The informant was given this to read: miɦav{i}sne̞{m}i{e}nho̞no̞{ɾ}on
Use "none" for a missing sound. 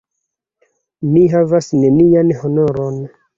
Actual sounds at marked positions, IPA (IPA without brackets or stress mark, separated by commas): a, n, a, ɾ